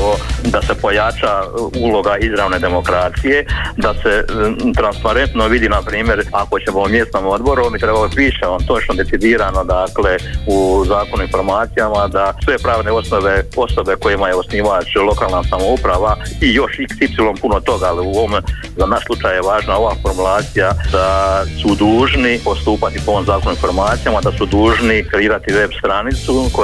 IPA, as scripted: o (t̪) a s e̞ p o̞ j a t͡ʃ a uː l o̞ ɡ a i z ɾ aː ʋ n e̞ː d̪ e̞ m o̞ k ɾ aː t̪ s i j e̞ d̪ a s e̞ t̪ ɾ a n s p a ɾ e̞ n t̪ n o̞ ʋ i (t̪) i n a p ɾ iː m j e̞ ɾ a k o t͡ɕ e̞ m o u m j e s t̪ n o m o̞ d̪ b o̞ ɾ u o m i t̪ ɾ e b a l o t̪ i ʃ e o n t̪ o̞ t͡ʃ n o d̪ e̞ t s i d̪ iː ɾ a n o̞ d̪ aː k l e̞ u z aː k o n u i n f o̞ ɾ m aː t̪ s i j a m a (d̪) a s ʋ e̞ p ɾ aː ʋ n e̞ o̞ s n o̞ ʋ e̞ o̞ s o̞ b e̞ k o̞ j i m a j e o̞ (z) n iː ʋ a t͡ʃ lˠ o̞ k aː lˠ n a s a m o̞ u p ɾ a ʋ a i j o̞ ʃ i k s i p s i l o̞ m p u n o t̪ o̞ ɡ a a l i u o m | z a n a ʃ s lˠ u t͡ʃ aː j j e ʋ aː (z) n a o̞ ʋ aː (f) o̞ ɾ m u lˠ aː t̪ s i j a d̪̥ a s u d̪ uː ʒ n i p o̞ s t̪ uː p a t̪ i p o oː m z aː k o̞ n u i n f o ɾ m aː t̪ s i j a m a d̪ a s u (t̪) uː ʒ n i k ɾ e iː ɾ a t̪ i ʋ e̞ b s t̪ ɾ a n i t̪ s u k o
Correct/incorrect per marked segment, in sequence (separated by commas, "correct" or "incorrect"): incorrect, incorrect, correct, incorrect, incorrect, correct, incorrect